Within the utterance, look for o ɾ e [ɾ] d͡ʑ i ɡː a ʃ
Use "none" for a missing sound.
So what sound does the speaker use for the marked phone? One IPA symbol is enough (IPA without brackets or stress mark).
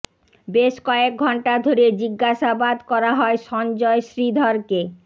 none